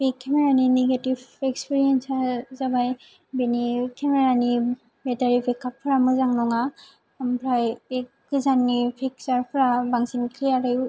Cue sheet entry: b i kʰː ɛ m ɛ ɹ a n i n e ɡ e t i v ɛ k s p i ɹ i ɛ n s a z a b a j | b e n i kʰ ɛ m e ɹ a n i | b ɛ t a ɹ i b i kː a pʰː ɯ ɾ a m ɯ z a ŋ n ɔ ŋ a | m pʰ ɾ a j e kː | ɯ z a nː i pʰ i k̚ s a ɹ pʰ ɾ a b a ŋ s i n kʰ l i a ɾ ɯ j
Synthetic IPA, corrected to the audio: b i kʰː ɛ m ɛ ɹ a n i n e ɡ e t i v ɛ k s p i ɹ i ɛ n s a z a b a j | b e n i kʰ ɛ m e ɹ a n i | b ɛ t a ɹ i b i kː a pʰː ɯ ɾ a m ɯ z a ŋ n ɔ ŋ a | m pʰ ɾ a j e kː | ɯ z a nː i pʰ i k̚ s a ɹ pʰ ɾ a b a ŋ s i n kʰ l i a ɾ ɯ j

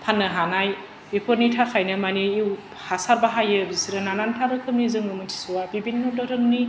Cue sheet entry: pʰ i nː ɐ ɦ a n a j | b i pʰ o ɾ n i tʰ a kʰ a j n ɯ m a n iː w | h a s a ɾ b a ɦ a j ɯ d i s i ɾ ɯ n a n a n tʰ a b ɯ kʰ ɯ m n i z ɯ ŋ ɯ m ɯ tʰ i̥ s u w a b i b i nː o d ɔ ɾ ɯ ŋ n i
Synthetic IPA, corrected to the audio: pʰ a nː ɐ ɦ a n a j | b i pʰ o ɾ n i tʰ a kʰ a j n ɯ m a n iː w | h a s a ɾ b a ɦ a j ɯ b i s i ɾ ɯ n a n a n tʰ a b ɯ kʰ ɯ m n i z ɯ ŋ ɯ m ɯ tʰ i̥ s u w a b i b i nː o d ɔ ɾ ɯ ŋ n i

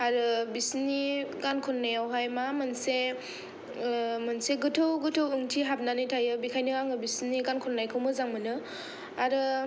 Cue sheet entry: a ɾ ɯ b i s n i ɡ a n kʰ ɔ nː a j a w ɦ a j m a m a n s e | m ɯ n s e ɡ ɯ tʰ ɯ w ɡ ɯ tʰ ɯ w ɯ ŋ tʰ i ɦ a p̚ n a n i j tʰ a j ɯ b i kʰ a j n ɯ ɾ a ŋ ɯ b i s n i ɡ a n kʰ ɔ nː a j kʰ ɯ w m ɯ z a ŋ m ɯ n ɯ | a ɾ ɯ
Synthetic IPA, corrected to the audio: a ɾ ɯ b i s n i ɡ a n kʰ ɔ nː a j a w ɦ a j m a m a n s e | m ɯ n s e ɡ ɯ tʰ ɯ w ɡ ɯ tʰ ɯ w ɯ ŋ tʰ i ɦ a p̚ n a n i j tʰ a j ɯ b i kʰ a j n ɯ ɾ a ŋ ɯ b i s n i ɡ a n kʰ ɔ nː a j kʰ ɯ w m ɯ z a ŋ m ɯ n ɯ | a ɾ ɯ

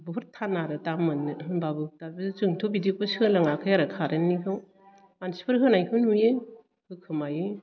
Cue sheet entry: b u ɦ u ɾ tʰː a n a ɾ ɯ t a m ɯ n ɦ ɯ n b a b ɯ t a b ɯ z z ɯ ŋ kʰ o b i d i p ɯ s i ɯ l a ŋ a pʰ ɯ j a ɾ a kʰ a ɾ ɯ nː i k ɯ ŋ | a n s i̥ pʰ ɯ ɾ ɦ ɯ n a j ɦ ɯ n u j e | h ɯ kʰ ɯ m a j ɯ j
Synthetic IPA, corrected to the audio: b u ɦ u ɾ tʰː a n a ɾ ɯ t a m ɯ n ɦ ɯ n b a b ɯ t a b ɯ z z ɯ ŋ tʰ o b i d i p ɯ s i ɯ l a ŋ a kʰ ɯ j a ɾ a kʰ a ɾ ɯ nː i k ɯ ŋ | a n s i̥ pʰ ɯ ɾ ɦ ɯ n a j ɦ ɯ n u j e | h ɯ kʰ ɯ m a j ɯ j

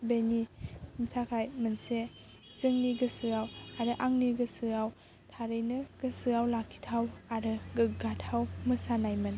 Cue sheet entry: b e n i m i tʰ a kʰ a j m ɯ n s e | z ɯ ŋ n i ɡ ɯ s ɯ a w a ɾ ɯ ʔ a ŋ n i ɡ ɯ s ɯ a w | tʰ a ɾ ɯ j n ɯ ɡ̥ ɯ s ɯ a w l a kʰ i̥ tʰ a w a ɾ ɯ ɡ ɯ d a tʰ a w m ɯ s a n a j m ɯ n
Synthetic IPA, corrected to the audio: b e n i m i tʰ a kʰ a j m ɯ n s e | z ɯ ŋ n i ɡ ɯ s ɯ a w a ɾ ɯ ʔ a ŋ n i ɡ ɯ s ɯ a w | tʰ a ɾ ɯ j n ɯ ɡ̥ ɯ s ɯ a w l a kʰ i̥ tʰ a w a ɾ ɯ ɡ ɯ ɡ a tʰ a w m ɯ s a n a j m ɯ n

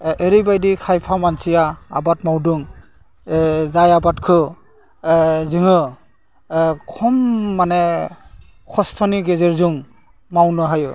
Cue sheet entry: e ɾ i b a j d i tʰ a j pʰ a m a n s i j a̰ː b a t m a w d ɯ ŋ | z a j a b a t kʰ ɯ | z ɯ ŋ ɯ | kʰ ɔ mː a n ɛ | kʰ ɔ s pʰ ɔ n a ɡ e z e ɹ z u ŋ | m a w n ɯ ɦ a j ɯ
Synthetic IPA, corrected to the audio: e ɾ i b a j d i kʰ a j pʰ a m a n s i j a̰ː b a t m a w d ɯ ŋ | z a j a b a t kʰ ɯ | z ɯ ŋ ɯ | kʰ ɔ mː a n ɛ | kʰ ɔ s tʰ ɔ n i ɡ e z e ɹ z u ŋ | m a w n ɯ ɦ a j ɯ

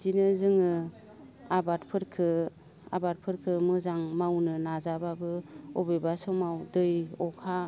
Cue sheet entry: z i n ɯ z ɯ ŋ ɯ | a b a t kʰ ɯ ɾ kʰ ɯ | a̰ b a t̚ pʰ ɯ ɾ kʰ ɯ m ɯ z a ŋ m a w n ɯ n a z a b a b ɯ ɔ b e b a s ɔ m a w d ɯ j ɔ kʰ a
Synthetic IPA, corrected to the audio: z i n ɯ z ɯ ŋ ɯ | a b a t pʰ ɯ ɾ kʰ ɯ | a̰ b a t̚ pʰ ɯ ɾ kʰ ɯ m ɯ z a ŋ m a w n ɯ n a z a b a b ɯ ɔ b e b a s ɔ m a w d ɯ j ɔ kʰ a

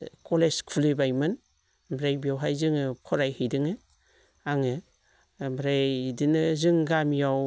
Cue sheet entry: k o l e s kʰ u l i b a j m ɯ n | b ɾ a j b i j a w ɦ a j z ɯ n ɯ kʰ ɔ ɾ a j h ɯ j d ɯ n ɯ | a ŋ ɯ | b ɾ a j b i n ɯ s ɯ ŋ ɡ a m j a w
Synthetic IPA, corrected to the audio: k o l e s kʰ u l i b a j m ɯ n | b ɾ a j b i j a w ɦ a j z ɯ ŋ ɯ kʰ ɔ ɾ a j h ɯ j d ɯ ŋ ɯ | a ŋ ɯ | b ɾ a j d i n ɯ z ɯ ŋ ɡ a m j a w

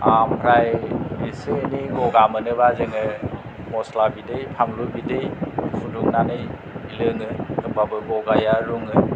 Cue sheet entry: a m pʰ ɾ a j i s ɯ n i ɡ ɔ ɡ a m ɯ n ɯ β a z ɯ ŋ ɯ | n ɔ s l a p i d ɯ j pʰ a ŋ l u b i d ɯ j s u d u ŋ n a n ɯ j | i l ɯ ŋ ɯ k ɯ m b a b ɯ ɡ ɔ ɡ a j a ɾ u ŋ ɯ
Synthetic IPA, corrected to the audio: a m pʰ ɾ a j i s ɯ n i ɡ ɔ ɡ a m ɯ n ɯ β a z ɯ ŋ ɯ | m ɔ s l a b i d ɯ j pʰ a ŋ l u b i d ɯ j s u d u ŋ n a n ɯ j | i l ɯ ŋ ɯ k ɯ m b a b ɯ ɡ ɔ ɡ a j a ɾ u ŋ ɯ

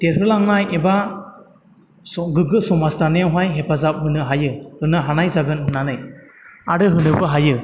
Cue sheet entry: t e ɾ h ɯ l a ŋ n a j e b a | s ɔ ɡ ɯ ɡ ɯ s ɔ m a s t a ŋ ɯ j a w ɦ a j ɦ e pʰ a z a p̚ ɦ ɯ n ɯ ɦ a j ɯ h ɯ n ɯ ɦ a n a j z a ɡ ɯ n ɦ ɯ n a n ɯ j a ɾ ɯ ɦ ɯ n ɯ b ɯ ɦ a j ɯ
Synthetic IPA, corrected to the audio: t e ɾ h ɯ l a ŋ n a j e b a | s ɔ ɡ ɯ ɡ ɯ s ɔ m a s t a n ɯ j a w ɦ a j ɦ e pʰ a z a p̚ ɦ ɯ n ɯ ɦ a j ɯ h ɯ n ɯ ɦ a n a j z a ɡ ɯ n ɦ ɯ n a n ɯ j a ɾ ɯ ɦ ɯ n ɯ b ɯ ɦ a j ɯ

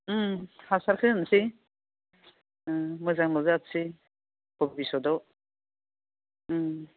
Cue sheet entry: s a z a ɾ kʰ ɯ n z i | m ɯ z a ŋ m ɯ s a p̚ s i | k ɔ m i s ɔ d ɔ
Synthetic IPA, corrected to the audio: h a s a ɾ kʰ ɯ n s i | m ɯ z a ŋ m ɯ z a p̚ s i | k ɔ b i s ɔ d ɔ

